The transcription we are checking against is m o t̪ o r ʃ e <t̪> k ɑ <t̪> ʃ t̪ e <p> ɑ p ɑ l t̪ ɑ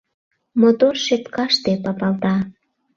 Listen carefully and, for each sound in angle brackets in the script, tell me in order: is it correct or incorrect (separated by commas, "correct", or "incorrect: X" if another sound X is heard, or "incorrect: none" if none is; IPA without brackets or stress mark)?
correct, incorrect: none, correct